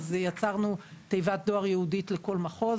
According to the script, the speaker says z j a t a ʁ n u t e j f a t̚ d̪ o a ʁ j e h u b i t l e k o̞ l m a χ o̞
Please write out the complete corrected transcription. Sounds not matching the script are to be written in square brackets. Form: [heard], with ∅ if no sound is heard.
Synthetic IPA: z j a [t͡s] a ʁ n u t e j [v] a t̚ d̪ o a ʁ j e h u [d] i t l e k o̞ l m a χ o̞